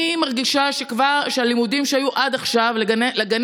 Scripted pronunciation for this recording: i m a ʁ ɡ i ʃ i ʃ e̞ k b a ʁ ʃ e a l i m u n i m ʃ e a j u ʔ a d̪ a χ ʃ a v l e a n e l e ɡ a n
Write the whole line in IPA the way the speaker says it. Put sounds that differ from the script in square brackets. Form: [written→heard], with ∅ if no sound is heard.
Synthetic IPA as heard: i m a ʁ ɡ i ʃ [i→a] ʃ e̞ k [b→v] a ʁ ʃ e a l i m u [n→d] i m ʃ e a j u ʔ a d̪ a χ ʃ a v l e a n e l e ɡ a n